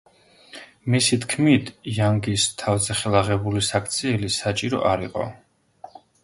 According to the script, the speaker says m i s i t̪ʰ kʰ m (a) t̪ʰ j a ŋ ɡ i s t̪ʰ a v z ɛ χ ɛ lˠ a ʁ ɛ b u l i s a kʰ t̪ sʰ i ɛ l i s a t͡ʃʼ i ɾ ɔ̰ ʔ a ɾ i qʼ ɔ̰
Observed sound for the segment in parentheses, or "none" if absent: i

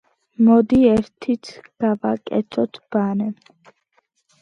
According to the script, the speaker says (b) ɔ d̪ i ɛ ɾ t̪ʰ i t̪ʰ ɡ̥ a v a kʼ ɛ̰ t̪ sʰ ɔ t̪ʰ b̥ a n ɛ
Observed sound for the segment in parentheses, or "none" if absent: m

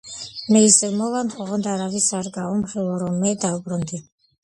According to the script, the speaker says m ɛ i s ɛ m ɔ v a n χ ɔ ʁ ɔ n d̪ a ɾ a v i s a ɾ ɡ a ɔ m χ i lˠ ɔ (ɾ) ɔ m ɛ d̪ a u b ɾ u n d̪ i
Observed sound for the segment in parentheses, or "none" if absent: ɾ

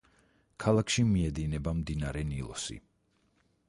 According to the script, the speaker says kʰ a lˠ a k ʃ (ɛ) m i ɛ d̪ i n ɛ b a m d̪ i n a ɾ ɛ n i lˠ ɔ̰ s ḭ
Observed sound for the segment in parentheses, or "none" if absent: i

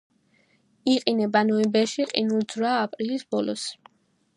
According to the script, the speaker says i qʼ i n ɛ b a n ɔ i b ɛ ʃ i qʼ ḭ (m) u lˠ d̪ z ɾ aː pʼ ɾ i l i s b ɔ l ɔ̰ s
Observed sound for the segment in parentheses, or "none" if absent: n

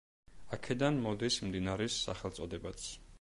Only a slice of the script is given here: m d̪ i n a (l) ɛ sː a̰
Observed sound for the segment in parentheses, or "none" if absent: ɾ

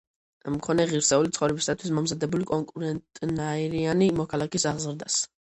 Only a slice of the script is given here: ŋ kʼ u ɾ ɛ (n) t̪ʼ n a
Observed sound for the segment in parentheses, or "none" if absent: n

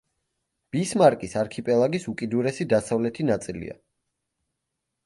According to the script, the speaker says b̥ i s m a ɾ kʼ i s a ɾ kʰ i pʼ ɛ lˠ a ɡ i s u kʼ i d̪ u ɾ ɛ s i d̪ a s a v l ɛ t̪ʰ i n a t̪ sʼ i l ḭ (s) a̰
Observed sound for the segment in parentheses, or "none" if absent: none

